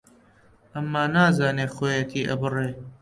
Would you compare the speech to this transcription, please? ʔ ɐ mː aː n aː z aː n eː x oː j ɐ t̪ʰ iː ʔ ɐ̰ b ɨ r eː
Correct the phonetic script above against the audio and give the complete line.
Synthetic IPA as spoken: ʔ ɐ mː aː n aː z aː n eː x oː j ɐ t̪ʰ iː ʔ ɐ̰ b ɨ r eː